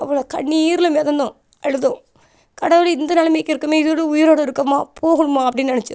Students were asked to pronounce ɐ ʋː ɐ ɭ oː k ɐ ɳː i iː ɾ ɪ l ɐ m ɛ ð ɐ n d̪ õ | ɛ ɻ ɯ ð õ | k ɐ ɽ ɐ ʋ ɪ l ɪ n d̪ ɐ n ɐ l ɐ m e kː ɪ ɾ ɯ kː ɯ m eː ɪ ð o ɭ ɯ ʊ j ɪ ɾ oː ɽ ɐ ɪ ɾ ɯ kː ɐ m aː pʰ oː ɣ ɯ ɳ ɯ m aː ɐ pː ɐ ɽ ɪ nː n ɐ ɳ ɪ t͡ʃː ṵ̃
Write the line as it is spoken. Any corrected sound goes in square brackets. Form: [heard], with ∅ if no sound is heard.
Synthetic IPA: ɐ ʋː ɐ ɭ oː k ɐ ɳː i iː ɾ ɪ l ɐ m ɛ ð ɐ n d̪ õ | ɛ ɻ ɯ ð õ | k ɐ ɽ ɐ ʋ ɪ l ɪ n d̪ ɐ n ɐ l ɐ m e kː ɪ ɾ ɯ kː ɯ m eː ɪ ð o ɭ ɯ ʊ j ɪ ɾ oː ɽ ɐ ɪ ɾ ɯ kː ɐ m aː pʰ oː ɣ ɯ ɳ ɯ m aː ɐ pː ɐ ɽ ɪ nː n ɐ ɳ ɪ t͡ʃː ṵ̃